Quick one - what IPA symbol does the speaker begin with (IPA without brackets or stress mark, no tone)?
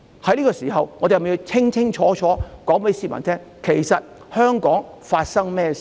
h